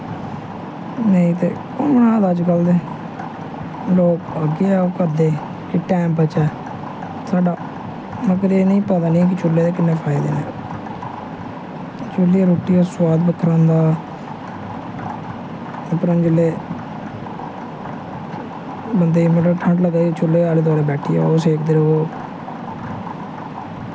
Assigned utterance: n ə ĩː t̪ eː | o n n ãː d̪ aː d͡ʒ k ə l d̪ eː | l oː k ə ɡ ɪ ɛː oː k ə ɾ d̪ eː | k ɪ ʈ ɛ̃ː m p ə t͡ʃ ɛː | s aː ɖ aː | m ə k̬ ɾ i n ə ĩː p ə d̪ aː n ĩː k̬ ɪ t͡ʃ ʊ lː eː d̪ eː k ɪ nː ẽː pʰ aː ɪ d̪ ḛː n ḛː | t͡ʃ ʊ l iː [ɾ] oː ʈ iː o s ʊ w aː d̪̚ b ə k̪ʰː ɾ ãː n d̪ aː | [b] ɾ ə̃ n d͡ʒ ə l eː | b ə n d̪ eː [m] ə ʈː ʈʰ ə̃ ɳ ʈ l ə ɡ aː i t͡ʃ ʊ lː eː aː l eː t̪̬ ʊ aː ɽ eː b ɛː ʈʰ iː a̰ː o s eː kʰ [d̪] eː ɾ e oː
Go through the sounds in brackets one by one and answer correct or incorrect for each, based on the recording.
correct, incorrect, correct, correct

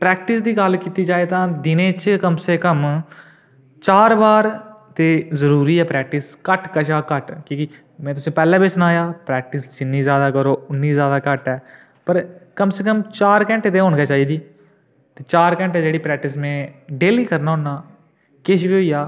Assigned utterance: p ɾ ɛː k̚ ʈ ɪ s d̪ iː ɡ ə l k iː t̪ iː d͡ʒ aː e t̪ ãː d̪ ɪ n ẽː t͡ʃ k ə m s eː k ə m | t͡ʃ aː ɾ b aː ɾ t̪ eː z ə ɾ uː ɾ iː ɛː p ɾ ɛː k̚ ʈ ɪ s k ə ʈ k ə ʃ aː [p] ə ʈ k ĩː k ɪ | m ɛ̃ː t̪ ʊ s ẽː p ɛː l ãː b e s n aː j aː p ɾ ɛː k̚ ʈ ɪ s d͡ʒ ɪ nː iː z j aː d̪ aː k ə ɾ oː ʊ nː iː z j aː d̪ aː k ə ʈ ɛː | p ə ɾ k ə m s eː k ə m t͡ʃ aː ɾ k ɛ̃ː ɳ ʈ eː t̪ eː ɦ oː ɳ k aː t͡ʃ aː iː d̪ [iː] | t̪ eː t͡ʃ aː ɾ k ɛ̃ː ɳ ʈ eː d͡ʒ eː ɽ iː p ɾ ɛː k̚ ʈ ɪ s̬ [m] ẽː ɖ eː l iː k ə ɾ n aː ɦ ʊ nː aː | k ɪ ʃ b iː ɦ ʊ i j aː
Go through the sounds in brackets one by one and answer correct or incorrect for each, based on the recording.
incorrect, correct, correct

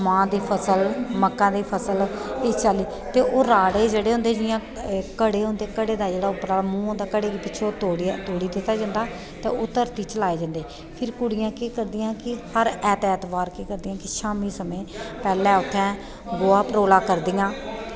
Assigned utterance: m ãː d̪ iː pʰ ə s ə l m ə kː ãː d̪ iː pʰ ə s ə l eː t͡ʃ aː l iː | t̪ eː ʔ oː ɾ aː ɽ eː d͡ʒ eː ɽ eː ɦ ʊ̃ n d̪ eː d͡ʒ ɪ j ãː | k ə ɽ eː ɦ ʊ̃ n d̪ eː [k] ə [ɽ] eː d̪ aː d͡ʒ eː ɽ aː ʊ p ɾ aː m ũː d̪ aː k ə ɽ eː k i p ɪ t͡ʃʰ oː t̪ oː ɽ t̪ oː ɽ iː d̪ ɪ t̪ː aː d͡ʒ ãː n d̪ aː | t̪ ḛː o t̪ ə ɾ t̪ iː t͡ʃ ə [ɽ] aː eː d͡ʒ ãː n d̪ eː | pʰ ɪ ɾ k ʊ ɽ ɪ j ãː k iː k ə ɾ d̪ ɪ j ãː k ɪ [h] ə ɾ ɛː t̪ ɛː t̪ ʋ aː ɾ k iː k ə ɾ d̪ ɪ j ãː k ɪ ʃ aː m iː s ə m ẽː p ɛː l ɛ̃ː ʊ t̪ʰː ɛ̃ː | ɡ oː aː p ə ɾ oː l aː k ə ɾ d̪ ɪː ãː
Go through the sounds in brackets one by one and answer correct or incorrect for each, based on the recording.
correct, correct, incorrect, correct

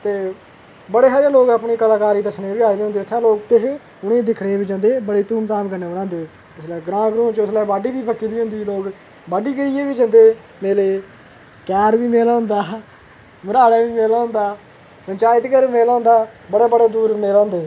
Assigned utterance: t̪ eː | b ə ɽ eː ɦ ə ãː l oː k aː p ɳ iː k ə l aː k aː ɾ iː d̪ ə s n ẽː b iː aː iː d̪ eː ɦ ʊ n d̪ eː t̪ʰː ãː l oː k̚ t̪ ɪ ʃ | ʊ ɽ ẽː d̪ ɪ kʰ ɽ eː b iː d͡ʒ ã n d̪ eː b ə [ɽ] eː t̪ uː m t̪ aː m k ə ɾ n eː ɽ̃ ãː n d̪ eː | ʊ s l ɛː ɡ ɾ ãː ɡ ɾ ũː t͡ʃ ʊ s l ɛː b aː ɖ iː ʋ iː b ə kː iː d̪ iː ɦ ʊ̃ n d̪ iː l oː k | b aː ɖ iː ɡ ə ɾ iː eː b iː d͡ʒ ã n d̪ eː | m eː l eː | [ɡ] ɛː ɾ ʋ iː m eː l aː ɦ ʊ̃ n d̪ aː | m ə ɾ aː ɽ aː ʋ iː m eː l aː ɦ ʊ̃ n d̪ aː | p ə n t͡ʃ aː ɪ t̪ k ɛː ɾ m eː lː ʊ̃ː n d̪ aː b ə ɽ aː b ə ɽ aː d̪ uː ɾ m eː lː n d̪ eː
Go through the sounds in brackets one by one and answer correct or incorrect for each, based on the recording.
correct, incorrect

